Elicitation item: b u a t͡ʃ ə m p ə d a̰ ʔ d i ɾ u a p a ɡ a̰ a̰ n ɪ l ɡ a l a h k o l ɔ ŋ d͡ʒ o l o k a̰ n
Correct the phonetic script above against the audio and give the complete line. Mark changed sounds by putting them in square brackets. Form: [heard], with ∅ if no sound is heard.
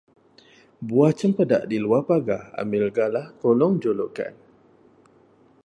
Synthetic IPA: b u a t͡ʃ ə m p ə d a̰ ʔ d i [l] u a p a ɡ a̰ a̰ [m] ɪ l ɡ a l a h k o l ɔ ŋ d͡ʒ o l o k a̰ n